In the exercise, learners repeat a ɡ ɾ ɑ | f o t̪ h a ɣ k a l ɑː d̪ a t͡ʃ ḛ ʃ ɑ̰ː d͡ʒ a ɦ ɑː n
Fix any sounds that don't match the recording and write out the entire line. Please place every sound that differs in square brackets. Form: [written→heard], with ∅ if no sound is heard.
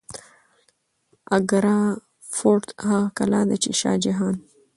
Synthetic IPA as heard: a ɡ ɾ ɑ | f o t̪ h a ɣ k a l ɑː d̪ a t͡ʃ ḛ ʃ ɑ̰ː d͡ʒ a ɦ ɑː n